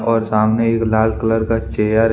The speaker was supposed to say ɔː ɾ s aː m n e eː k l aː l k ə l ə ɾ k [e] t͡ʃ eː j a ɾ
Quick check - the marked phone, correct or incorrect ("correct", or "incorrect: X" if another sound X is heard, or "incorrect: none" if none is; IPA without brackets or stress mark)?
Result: incorrect: a